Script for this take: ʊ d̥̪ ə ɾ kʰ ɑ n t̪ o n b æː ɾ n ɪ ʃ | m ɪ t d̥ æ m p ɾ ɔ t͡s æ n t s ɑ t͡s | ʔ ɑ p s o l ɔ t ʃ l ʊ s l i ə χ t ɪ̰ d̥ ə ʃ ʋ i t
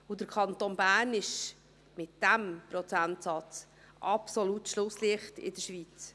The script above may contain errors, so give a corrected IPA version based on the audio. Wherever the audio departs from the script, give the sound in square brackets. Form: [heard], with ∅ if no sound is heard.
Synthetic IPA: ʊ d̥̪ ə ɾ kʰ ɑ n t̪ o n b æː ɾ n ɪ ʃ | m ɪ t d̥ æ m p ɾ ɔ t͡s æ n t s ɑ t͡s | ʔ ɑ p s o l [u] t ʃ l ʊ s l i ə χ t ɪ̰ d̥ ə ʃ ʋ i [t͡s]